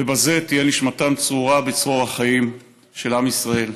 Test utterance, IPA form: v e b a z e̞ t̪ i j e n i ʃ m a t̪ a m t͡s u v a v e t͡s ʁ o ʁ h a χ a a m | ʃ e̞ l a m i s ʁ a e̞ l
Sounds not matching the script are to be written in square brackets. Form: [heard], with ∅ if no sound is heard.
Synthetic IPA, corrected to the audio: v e b a z e̞ t̪ i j e n i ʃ m a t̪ a m t͡s u [ʁ] a [b] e t͡s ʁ o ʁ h a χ a [i] m | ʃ e̞ l a m i s ʁ a e̞ l